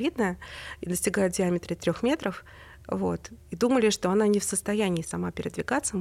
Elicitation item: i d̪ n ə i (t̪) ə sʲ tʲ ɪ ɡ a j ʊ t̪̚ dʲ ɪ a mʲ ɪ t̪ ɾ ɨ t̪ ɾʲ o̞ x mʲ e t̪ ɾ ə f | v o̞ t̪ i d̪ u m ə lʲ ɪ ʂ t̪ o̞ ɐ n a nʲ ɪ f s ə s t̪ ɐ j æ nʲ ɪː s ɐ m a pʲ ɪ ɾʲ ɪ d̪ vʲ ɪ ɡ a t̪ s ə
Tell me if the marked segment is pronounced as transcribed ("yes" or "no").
no